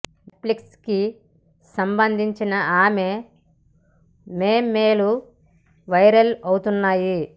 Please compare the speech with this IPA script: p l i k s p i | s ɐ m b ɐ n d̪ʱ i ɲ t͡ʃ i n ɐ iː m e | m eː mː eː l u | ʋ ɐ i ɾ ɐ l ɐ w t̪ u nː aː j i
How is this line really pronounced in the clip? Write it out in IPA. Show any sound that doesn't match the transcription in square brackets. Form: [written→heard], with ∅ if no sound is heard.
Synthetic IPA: p l i k s [p→k] i | s ɐ m b ɐ n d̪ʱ i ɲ t͡ʃ i n ɐ [iː→aː] m e | m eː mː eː l u | ʋ ɐ [i→j] ɾ ɐ l ɐ w t̪ u nː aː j i